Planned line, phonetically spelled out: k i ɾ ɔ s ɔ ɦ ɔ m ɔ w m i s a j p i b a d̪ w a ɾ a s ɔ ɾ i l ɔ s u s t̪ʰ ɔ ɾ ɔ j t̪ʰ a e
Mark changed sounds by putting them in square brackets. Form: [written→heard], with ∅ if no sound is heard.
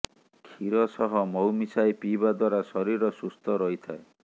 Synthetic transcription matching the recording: [k→kʰ] i ɾ ɔ s ɔ ɦ ɔ m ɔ w m i s a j p i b a d̪ w a ɾ a s ɔ ɾ i [l→ɾ] ɔ s u s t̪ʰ ɔ ɾ ɔ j t̪ʰ a e